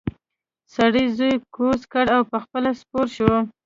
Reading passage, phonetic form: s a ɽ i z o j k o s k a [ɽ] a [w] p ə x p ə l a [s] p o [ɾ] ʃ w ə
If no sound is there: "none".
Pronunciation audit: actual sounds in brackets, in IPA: ɽ, w, s, ɾ

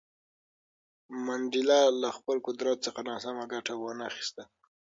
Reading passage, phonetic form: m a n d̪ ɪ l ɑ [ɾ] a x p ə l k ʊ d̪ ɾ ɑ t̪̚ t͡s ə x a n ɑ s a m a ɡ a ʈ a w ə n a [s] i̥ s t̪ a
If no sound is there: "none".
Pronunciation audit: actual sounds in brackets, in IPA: l, x

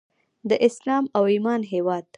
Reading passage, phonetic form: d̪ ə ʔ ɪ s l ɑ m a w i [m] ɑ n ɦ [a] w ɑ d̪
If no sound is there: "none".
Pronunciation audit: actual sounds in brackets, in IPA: m, e

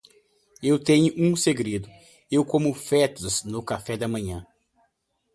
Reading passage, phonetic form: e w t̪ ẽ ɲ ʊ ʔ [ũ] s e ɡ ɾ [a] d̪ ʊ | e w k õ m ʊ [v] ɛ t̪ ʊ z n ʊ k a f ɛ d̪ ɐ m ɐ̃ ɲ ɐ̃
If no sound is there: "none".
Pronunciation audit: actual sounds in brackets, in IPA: ũ, e, f

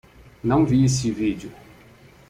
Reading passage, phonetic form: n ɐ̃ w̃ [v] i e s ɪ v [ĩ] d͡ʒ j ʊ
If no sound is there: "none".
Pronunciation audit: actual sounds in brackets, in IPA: v, i

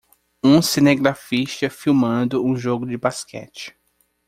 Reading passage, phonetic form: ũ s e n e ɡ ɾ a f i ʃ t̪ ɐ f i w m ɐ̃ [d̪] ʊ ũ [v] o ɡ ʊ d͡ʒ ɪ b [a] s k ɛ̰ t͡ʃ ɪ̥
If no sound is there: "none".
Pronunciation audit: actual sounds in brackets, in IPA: d̪, ʒ, a

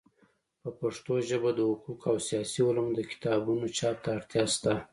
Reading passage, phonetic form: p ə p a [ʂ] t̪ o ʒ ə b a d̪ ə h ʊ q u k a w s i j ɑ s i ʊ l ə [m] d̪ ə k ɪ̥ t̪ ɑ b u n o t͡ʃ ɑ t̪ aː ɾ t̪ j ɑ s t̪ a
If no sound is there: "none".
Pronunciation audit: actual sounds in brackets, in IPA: ʂ, m

